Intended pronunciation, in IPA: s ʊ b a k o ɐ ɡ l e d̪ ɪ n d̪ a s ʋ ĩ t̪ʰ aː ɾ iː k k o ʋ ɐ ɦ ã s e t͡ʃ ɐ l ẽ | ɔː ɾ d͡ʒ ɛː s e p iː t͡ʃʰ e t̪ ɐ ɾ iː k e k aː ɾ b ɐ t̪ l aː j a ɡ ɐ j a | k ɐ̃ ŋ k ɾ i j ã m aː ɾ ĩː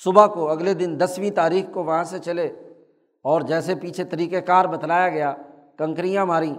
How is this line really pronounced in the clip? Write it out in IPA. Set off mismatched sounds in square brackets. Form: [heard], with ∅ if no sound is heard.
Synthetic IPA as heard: s ʊ b a k o ɐ ɡ l e d̪ ɪ n d̪ [ɐ] s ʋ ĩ [t̪] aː ɾ iː [x] k o ʋ ɐ ɦ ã s e t͡ʃ ɐ l [e] | ɔː ɾ d͡ʒ ɛː s e p iː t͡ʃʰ e t̪ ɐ ɾ iː k e k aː ɾ b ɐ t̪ l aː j a ɡ ɐ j a | k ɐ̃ ŋ k ɾ i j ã m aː ɾ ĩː